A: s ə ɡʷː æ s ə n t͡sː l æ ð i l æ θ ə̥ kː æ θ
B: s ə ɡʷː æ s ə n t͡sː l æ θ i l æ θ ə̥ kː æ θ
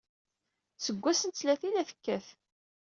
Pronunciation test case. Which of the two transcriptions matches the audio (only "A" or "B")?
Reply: B